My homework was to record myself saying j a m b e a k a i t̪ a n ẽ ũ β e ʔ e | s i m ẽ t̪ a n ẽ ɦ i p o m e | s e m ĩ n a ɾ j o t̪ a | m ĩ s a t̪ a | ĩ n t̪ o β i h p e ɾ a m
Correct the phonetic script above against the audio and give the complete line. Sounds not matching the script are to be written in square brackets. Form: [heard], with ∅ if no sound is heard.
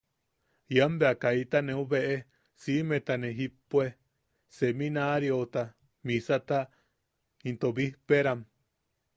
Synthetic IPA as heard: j a m b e a k a i t̪ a n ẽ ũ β e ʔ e | s i m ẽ t̪ a n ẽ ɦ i p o [∅] e | s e m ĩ n a ɾ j o t̪ a | m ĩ s a t̪ a | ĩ n t̪ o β i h p e ɾ a m